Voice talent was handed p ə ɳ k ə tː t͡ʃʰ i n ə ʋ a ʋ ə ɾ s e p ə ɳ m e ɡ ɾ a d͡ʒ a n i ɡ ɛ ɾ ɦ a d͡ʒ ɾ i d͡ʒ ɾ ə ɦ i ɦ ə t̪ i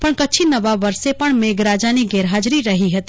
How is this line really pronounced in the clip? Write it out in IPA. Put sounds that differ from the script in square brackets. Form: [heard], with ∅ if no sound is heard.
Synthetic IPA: p ə ɳ k ə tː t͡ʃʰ i n ə ʋ a ʋ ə ɾ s e p ə ɳ m e ɡ ɾ a d͡ʒ a n i ɡ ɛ ɾ ɦ a d͡ʒ ɾ i [∅] ɾ ə ɦ i ɦ ə t̪ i